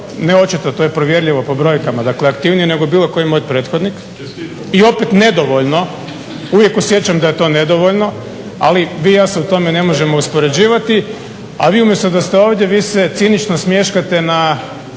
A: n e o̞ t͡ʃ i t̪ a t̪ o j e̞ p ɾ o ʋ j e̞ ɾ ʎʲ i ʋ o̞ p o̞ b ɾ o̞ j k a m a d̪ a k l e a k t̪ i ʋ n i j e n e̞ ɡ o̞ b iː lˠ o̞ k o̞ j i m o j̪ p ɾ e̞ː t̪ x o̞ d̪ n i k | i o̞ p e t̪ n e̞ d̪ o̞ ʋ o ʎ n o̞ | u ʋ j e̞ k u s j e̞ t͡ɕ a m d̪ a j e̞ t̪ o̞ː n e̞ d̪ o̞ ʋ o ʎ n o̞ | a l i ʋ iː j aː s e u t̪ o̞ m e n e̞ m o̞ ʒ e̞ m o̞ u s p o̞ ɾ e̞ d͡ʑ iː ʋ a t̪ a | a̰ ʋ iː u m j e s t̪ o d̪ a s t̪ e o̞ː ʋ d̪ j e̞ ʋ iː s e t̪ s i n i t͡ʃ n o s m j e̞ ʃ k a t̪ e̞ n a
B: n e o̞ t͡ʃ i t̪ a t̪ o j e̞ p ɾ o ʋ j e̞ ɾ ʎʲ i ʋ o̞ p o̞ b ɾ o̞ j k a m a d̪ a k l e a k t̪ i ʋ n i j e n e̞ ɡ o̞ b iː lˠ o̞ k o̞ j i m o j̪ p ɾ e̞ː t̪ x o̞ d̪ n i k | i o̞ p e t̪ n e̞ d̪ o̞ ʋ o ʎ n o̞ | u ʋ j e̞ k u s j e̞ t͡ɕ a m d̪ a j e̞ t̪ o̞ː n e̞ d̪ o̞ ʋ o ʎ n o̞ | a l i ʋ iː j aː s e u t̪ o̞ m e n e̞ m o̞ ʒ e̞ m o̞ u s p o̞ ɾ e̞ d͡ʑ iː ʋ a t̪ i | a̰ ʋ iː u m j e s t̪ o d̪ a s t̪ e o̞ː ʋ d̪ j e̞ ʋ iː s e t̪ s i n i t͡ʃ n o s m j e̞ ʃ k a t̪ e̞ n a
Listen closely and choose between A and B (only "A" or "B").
B